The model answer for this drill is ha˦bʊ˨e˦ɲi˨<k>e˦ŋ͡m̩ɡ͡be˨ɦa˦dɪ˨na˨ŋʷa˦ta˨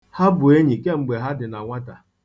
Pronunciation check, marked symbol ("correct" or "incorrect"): correct